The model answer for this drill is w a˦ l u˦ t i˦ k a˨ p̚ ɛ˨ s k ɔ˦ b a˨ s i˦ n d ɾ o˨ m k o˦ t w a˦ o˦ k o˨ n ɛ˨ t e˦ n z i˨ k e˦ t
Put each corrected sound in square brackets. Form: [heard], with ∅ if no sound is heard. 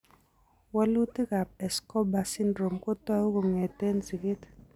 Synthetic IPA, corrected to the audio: w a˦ l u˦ t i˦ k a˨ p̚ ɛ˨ s k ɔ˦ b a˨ s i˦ n d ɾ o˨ m k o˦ t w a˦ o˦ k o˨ [ŋ] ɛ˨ t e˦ n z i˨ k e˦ t